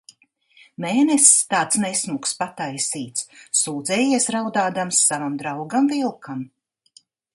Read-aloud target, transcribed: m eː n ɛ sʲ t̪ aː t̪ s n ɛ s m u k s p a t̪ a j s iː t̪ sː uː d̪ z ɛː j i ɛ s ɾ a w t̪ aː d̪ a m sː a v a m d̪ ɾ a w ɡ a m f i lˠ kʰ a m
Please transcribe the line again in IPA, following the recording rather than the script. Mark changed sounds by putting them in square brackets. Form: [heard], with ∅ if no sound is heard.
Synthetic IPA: m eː n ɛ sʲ t̪ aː t̪ s n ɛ s m u k s p a t̪ a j s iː t̪ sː uː d̪ z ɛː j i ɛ s ɾ a w [d̪] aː d̪ a m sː a v a m d̪ ɾ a w ɡ a m [v] i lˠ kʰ a m